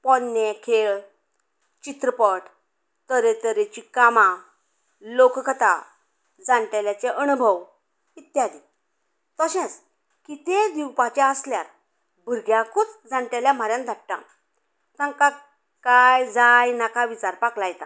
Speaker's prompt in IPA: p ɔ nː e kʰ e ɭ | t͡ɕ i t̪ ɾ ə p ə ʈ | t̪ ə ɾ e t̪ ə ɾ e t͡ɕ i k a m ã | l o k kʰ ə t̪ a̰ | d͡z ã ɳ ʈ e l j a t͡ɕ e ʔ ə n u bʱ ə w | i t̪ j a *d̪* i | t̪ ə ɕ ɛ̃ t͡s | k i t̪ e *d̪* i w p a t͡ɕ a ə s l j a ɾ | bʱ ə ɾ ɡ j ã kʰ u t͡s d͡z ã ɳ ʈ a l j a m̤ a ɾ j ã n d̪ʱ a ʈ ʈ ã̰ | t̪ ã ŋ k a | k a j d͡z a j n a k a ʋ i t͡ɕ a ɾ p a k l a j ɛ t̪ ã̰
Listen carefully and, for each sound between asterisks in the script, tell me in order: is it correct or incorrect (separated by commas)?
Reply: correct, correct